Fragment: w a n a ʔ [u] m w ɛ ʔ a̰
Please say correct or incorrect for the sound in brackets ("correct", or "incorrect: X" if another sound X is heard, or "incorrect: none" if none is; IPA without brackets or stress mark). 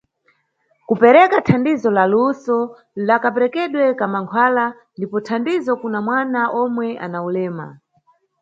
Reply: incorrect: ɔ